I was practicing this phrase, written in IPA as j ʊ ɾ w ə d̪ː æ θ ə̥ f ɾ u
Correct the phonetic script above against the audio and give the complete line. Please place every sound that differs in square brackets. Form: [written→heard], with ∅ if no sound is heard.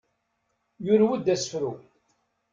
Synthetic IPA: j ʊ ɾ w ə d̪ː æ [θ→s] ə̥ f ɾ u